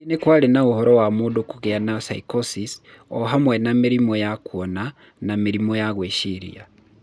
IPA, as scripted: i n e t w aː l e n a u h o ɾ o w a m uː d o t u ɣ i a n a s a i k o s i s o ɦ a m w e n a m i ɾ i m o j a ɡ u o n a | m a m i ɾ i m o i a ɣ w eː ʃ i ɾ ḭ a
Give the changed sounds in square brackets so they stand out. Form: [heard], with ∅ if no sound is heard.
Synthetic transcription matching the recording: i n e [k] w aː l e n a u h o ɾ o w a m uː d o [k] u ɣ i a n a s a i k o s i s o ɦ a m w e n a m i ɾ i m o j a [k] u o n a | [n] a m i ɾ i m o [j] a ɣ w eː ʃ i ɾ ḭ a